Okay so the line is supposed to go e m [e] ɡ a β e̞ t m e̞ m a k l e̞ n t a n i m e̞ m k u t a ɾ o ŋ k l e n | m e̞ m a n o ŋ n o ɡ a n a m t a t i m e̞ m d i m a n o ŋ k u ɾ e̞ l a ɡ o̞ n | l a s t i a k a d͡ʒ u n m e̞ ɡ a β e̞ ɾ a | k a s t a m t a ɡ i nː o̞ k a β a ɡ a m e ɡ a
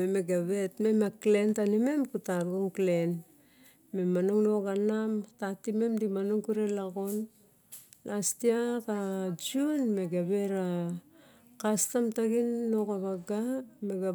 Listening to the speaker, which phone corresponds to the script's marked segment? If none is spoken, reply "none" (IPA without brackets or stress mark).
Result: e